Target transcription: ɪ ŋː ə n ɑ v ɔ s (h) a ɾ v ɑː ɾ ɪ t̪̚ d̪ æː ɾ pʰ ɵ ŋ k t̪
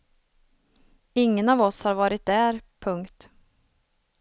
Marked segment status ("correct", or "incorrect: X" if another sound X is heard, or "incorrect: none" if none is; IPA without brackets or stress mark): correct